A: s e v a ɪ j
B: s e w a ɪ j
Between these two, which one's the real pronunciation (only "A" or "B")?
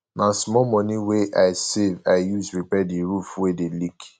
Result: A